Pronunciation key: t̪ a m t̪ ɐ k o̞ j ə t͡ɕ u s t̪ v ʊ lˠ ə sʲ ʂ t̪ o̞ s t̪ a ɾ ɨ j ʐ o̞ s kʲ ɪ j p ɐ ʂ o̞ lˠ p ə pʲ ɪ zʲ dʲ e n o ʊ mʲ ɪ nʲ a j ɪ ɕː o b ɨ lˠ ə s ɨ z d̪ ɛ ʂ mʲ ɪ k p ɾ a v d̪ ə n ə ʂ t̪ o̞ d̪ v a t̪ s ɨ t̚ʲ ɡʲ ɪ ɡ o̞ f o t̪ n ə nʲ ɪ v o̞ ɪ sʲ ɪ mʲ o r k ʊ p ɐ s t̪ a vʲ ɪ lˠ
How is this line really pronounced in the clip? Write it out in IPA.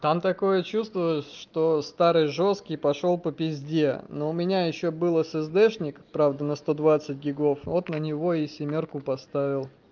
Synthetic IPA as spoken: t̪ a m t̪ ɐ k o̞ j ə t͡ɕ u s t̪ v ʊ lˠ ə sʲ ʂ t̪ o̞ s t̪ a ɾ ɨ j ʐ o̞ s kʲ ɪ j p ɐ ʂ o̞ lˠ p ə pʲ ɪ zʲ dʲ e n o ʊ mʲ ɪ nʲ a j ɪ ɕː o b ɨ lˠ ə s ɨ z d̪ ɛ ʂ nʲ ɪ k p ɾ a v d̪ ə n ə s t̪ o̞ d̪ v a t̪ s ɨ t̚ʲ ɡʲ ɪ ɡ o̞ f o t̪ n ə nʲ ɪ v o̞ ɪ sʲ ɪ mʲ o r k ʊ p ɐ s t̪ a vʲ ɪ lˠ